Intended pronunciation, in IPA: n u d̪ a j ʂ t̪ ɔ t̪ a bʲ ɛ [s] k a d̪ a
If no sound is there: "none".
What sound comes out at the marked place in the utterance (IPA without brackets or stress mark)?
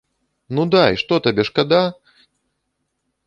ʂ